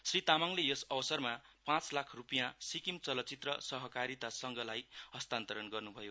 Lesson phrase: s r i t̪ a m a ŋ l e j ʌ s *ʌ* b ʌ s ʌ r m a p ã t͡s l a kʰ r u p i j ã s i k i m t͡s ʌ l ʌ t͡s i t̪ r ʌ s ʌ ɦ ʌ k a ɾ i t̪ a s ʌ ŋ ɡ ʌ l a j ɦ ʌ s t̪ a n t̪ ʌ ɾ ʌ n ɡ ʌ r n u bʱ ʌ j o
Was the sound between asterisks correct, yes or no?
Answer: yes